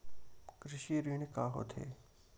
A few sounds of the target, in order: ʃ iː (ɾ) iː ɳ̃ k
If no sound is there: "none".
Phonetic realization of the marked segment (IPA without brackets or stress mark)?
ɾ